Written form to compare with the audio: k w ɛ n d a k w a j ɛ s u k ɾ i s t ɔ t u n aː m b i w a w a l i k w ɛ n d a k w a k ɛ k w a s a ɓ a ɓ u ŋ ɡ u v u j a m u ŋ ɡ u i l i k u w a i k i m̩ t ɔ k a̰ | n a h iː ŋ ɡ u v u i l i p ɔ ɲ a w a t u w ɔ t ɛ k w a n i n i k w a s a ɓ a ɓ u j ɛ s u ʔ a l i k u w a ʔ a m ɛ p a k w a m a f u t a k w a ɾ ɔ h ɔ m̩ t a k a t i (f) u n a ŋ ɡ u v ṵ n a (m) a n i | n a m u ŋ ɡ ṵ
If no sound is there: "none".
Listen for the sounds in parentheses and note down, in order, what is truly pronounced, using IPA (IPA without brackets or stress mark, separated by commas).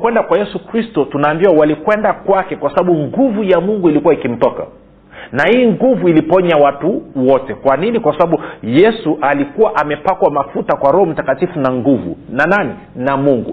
f, n